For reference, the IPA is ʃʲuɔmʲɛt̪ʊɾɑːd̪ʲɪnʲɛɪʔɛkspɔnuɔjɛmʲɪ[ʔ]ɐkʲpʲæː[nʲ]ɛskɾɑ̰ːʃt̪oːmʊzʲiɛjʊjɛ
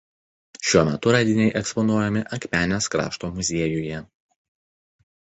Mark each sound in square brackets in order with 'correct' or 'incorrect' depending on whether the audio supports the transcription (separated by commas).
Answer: correct, correct